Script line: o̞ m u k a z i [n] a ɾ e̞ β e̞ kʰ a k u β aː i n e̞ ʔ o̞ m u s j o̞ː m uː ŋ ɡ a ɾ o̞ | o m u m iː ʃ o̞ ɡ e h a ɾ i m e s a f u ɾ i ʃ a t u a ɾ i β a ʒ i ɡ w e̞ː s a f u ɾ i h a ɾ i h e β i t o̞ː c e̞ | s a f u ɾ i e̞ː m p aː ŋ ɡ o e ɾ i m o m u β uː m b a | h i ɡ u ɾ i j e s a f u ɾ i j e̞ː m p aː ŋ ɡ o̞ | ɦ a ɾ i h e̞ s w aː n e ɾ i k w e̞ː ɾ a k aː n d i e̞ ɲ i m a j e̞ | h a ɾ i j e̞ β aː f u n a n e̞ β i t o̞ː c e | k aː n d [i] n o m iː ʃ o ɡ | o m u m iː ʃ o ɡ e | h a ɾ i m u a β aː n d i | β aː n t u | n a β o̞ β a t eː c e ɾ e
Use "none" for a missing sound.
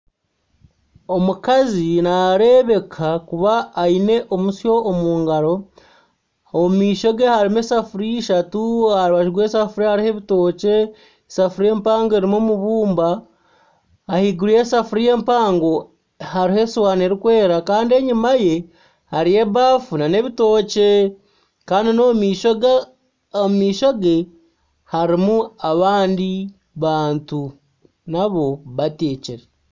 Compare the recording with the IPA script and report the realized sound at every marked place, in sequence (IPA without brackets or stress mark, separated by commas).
n, i